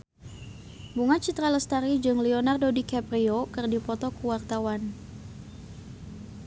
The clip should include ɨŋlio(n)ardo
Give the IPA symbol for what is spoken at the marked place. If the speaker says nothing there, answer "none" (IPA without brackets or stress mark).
n